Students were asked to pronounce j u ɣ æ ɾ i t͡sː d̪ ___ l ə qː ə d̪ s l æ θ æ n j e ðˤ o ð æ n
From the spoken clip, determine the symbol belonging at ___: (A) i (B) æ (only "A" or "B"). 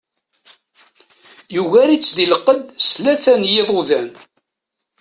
A